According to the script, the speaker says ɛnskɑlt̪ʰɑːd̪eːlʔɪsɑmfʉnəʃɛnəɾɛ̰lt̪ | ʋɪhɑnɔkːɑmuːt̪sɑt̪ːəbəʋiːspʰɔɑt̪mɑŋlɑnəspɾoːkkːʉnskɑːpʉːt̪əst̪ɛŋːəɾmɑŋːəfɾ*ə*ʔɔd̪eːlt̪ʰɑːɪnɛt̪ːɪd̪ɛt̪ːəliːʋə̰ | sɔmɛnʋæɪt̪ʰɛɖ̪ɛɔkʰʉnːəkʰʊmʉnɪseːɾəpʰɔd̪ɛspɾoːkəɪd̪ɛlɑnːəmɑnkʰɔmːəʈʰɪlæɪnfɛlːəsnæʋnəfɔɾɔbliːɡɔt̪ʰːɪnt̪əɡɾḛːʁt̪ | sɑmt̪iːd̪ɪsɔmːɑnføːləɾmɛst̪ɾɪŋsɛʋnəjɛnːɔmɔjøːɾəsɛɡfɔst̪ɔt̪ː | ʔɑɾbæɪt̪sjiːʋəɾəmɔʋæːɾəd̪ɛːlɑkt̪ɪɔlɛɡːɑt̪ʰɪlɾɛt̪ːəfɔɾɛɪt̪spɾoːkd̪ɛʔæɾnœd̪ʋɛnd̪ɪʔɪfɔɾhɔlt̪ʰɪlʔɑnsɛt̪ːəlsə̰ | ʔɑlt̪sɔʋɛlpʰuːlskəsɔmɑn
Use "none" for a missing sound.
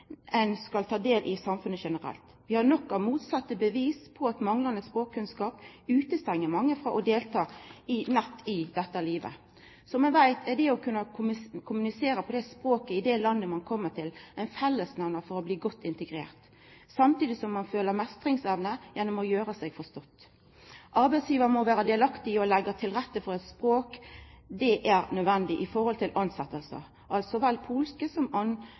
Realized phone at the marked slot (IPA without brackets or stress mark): ɑ